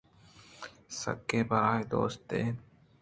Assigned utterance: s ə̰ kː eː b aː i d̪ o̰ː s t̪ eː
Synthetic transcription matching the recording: s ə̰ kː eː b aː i d̪ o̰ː s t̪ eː